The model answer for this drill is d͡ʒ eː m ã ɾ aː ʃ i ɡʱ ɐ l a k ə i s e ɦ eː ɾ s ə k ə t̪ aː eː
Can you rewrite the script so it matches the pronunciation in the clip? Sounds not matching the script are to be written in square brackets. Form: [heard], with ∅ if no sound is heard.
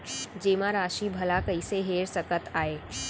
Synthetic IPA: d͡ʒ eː m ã ɾ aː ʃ i [bʱ] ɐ l a k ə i s e ɦ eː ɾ s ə k ə t̪ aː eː